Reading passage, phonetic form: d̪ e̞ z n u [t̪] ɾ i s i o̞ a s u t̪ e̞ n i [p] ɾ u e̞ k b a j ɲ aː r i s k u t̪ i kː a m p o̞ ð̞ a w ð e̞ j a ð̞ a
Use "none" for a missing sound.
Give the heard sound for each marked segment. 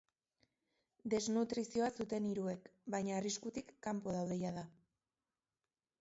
t̪, none

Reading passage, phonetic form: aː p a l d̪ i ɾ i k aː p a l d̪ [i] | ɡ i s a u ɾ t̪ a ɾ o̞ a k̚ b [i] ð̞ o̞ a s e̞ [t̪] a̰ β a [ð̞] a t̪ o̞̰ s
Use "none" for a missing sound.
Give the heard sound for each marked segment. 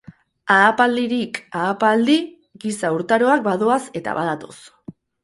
i, a, t̪, ð̞

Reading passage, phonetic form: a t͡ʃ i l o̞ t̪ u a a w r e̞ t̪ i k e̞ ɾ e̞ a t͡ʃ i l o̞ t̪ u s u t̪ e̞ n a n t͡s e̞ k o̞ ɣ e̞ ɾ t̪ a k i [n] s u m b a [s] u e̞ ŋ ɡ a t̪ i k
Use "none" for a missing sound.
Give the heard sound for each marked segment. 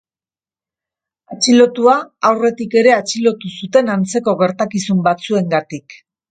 none, t͡s

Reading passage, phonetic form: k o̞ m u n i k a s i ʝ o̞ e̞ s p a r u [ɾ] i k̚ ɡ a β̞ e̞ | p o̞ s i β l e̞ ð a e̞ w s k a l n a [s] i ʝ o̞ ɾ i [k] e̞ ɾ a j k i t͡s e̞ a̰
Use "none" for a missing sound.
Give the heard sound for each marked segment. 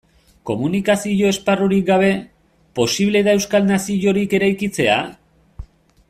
ɾ, s, k

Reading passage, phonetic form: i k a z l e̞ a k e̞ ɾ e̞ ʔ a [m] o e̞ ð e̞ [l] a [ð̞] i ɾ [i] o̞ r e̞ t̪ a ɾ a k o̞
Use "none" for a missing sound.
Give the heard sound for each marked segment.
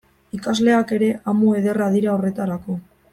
m, r, ð̞, a

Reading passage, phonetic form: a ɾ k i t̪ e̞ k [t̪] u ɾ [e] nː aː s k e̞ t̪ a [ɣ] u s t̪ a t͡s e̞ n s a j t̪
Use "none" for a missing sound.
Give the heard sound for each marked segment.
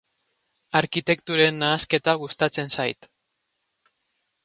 t̪, e, ɣ

